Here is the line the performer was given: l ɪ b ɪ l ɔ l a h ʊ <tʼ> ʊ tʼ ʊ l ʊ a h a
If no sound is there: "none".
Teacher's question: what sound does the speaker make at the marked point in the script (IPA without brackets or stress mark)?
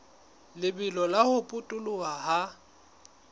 pʼ